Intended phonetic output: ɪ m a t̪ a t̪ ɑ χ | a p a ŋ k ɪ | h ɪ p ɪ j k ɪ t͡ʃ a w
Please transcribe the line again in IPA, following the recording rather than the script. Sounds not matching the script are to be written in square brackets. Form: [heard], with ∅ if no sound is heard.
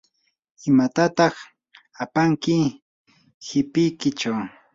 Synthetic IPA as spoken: ɪ m a t̪ a t̪ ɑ χ | a p a ŋ k ɪ | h ɪ p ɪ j k ɪ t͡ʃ a w